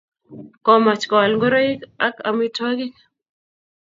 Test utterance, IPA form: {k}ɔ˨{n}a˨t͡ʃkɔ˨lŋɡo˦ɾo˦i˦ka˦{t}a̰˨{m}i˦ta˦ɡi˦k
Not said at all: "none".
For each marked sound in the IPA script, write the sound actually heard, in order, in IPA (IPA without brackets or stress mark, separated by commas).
k, m, k, m